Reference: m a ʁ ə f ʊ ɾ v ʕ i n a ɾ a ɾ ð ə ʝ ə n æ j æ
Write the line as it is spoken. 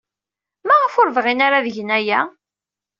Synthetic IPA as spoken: m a ʁ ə f ʊ ɾ v ʁ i n a ɾ a ð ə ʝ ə n æ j æ